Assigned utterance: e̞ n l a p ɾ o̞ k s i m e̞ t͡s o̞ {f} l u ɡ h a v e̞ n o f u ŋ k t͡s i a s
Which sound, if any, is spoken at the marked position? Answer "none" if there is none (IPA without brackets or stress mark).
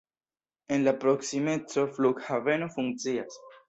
f